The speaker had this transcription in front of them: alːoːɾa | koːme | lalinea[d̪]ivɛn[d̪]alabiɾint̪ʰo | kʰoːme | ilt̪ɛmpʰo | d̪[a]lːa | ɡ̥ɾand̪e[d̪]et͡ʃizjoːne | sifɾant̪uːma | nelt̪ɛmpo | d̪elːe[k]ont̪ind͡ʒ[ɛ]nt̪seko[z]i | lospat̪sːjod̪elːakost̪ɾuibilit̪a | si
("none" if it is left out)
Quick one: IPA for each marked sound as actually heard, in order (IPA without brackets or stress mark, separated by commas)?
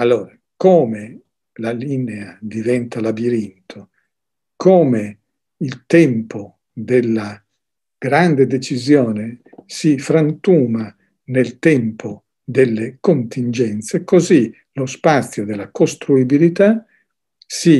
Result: d̪, t̪, e, d̪, k, ɛ, z